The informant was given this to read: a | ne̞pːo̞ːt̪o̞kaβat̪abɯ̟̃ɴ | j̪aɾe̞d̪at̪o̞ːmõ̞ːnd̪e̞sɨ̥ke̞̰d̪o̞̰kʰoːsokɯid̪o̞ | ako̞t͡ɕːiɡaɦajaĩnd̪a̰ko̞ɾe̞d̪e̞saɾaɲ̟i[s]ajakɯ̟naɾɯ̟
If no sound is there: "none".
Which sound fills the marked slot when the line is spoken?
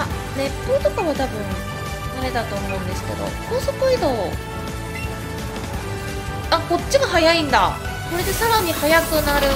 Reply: h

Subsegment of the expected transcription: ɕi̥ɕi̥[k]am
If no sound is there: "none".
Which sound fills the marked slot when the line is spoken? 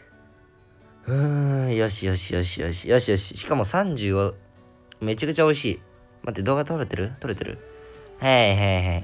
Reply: k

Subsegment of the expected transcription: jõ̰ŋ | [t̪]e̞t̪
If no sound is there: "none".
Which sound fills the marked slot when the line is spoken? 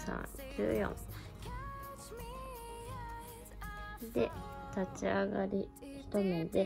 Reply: d̪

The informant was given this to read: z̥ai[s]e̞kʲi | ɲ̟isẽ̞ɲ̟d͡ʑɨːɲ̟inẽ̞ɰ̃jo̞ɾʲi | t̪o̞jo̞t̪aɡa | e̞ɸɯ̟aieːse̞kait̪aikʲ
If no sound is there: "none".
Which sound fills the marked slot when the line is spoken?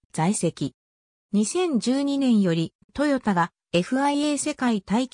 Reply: s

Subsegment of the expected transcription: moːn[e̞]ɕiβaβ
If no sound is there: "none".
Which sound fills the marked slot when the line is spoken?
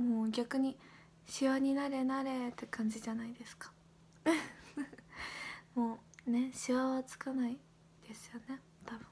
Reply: e̞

